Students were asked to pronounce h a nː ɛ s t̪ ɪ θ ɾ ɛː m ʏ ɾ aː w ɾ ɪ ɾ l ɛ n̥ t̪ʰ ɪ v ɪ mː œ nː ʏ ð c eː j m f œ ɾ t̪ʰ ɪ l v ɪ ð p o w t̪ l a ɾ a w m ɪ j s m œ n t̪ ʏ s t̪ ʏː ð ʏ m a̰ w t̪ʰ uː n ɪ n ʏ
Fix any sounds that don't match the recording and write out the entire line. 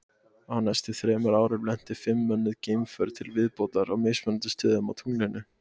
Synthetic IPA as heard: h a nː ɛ s t̪ ɪ θ ɾ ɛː m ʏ ɾ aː w ɾ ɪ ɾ l ɛ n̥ t̪ ɪ f ɪ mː œ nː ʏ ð c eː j m f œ ɾ t̪ʰ ɪ l v ɪ ð p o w t̪ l a ɾ a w m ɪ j s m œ n t̪ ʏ s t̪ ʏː ð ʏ m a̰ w t̪ʰ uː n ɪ n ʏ